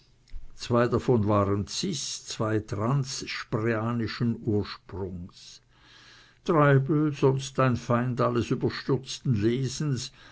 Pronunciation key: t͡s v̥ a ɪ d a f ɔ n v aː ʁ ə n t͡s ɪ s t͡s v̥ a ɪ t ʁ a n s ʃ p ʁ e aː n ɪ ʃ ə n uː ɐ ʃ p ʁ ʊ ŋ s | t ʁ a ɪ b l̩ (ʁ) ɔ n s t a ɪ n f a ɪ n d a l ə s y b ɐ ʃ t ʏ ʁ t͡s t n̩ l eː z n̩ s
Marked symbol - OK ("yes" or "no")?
no